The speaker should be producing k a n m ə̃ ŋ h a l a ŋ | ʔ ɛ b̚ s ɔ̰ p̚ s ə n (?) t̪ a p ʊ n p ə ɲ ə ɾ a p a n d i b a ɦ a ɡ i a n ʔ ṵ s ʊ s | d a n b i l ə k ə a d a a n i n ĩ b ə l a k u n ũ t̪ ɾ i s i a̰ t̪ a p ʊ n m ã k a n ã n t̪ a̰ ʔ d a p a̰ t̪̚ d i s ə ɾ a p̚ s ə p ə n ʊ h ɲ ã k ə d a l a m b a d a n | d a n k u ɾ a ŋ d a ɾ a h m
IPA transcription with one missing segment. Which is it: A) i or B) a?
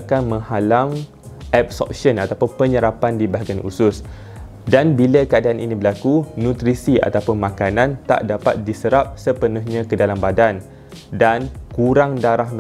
B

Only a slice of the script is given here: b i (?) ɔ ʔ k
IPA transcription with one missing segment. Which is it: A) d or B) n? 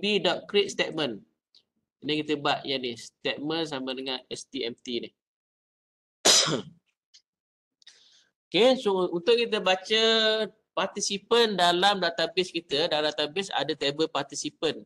A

